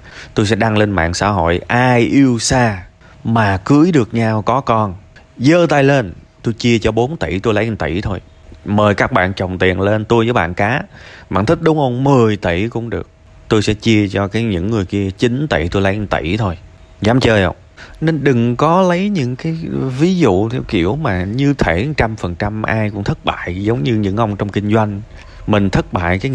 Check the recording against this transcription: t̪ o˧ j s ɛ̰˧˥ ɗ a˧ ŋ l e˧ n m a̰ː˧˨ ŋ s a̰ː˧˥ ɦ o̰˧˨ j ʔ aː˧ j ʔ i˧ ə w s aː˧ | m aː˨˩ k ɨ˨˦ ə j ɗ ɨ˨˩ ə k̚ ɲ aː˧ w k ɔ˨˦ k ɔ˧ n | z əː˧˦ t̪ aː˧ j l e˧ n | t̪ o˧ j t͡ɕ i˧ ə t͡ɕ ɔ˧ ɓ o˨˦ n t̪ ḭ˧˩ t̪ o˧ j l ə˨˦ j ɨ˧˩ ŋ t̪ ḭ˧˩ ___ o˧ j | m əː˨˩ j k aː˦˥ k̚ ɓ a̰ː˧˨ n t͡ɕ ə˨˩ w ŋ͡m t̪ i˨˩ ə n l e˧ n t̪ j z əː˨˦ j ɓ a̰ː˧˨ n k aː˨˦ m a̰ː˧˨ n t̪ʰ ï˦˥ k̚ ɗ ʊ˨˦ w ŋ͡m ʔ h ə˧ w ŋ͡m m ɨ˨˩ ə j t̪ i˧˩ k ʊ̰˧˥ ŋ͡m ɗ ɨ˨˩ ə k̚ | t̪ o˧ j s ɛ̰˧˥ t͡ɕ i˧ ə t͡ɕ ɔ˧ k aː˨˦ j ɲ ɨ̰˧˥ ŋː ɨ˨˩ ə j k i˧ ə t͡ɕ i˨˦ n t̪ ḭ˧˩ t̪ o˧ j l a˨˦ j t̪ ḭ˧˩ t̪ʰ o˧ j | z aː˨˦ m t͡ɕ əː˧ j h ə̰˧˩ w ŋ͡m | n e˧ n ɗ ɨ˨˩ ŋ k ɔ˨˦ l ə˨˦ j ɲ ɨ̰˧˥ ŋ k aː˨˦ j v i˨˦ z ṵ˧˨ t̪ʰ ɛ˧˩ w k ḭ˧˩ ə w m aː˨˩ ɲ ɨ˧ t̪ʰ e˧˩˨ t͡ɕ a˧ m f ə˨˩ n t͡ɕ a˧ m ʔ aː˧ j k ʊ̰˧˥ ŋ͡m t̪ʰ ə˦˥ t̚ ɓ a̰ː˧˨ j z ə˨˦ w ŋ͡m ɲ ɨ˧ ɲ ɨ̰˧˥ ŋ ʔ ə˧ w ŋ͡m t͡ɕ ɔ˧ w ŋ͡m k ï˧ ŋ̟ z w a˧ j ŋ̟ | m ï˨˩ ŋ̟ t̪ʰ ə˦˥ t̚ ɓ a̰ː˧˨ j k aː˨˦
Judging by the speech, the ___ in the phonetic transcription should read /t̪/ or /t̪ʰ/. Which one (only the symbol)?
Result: t̪ʰ